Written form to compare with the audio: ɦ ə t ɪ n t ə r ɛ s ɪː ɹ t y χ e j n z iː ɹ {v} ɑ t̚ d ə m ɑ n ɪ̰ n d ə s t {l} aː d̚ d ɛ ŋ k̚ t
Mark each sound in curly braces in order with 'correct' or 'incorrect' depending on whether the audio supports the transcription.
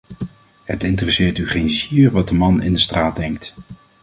incorrect: ʋ, incorrect: r

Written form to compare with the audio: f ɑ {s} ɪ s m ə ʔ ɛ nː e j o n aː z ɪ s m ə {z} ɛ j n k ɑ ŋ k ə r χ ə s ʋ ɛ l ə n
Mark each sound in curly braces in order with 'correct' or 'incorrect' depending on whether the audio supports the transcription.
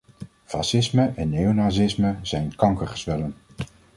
correct, correct

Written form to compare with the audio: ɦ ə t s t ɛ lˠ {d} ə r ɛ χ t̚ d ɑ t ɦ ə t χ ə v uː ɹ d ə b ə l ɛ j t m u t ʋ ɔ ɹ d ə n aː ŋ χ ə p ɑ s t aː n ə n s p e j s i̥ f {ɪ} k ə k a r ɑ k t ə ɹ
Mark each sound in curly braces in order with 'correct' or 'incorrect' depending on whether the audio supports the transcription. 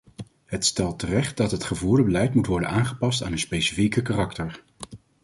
incorrect: t, incorrect: i

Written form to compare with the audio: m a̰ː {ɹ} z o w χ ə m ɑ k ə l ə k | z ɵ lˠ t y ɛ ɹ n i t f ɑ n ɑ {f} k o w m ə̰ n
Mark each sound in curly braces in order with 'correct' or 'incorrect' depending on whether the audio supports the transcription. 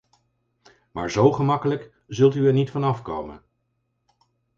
correct, correct

